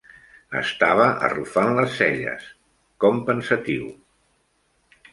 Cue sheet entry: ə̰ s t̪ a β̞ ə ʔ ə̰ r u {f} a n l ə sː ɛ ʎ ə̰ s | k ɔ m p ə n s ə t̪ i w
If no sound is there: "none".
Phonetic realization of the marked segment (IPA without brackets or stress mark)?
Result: f